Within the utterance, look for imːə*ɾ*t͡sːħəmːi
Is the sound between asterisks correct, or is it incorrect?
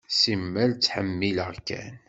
incorrect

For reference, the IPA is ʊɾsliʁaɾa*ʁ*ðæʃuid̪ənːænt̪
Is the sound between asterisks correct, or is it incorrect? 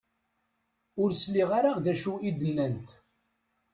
correct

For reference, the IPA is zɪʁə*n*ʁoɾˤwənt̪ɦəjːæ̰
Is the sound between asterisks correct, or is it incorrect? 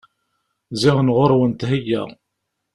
correct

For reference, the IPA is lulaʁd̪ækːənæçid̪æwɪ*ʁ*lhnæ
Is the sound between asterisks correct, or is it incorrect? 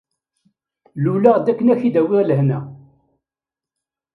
correct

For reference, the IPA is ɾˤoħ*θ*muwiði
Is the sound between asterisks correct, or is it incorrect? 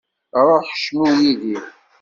incorrect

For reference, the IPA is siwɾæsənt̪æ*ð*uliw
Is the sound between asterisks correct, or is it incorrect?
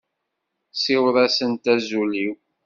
incorrect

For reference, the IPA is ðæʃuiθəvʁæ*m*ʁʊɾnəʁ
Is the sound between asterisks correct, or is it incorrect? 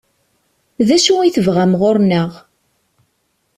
correct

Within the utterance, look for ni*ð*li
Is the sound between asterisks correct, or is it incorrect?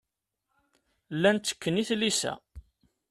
incorrect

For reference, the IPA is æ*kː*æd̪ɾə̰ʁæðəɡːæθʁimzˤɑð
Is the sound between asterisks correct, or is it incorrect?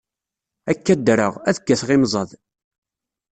correct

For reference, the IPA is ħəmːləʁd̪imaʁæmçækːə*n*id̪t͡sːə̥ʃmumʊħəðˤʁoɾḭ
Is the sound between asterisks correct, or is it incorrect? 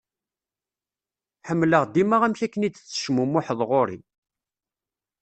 correct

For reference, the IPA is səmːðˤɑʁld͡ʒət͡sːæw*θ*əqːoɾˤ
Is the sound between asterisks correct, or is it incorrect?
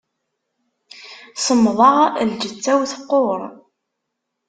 correct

